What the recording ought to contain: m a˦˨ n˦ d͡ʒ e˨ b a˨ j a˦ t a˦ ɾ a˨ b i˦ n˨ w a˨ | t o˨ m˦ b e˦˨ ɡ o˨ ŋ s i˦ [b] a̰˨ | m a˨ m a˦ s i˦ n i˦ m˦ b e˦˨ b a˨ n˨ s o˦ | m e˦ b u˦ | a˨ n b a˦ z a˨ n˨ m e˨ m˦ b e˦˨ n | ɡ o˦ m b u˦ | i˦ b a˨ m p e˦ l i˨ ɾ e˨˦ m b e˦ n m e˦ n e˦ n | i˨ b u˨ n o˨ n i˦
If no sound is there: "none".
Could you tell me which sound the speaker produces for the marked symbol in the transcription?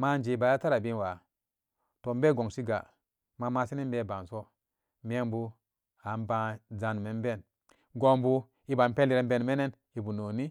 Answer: ɡ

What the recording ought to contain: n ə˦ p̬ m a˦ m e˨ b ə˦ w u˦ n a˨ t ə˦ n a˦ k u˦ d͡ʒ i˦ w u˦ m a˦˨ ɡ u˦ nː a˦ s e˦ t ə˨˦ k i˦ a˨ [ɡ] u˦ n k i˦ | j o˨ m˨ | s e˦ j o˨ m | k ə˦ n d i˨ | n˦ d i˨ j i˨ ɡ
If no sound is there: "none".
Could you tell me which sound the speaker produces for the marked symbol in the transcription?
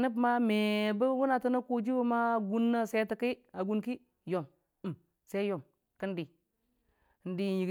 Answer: ɡ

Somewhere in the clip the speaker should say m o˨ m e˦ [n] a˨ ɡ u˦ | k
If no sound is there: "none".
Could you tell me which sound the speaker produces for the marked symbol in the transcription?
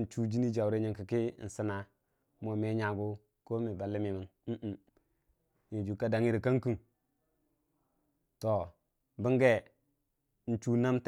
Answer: ɲ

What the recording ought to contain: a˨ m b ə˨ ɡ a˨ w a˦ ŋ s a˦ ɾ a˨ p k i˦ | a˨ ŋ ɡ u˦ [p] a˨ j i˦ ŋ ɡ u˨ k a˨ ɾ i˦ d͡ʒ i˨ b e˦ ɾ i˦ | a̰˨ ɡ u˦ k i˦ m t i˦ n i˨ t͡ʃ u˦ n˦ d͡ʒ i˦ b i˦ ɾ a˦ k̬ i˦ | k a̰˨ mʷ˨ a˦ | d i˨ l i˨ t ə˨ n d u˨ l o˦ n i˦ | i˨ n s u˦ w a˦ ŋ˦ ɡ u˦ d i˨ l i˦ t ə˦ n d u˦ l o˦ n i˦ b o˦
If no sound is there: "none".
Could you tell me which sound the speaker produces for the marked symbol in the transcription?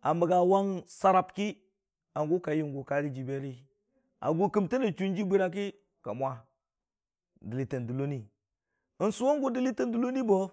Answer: k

